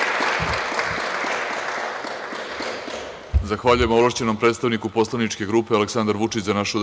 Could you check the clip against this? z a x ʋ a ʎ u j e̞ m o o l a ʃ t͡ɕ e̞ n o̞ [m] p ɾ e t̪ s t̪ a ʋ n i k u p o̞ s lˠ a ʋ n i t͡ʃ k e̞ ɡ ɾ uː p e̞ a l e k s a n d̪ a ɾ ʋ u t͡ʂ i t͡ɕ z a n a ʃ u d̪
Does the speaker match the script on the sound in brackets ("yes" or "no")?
yes